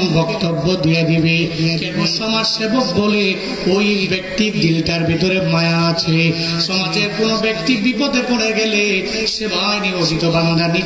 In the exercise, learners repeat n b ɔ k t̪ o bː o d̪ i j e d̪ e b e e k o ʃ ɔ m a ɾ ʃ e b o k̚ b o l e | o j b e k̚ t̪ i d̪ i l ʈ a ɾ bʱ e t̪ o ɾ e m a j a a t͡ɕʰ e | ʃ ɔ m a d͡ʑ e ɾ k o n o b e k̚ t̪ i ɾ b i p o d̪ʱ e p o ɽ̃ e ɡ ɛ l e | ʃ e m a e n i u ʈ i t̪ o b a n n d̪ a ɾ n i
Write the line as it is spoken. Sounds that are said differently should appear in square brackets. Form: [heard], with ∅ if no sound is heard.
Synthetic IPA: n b ɔ k t̪ o bː o d̪ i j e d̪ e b e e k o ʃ ɔ m a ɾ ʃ e b o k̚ b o l e | o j b e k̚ t̪ i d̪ i l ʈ a ɾ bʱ e t̪ o ɾ e m a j a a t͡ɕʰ e | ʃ ɔ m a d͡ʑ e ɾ k o n o b e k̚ t̪ i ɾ b i p o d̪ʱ e p o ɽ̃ e ɡ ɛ l e | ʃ e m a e n i [o] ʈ i t̪ o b a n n d̪ a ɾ n i